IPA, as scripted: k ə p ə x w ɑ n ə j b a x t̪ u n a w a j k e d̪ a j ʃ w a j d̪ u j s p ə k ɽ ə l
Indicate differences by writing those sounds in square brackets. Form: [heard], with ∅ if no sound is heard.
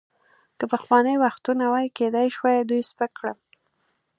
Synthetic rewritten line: k ə p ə x w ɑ n ə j [w] a x t̪ u n a w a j k e d̪ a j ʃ w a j d̪ u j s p ə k ɽ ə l